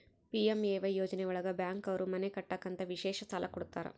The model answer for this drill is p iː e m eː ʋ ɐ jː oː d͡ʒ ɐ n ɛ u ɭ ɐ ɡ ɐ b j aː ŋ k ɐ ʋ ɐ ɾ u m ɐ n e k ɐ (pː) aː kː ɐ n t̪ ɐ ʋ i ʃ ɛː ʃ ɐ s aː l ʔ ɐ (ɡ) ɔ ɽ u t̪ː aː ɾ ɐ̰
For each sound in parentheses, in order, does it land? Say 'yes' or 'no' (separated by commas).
no, no